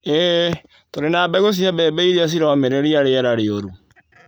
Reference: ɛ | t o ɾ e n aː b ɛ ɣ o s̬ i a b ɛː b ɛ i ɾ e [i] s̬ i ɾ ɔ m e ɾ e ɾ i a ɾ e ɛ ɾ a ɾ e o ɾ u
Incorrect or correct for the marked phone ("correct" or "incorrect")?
incorrect